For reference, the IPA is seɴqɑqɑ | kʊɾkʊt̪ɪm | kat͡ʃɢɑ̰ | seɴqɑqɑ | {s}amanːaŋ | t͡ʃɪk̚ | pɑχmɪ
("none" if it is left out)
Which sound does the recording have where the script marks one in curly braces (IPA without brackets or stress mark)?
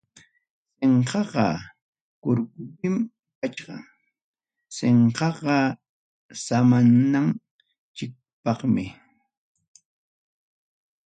s